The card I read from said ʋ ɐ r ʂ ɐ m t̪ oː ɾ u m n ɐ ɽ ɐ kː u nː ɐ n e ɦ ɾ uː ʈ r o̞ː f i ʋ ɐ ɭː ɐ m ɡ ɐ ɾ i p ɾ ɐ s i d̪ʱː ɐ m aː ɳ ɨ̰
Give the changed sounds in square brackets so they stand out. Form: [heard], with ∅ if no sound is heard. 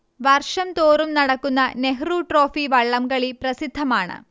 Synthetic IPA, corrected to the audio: ʋ ɐ r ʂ ɐ m t̪ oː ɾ u m n ɐ ɽ ɐ kː u nː ɐ n e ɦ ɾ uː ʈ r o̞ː f i ʋ ɐ ɭː ɐ m ɡ ɐ [ɭ] i p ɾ ɐ s i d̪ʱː ɐ m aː ɳ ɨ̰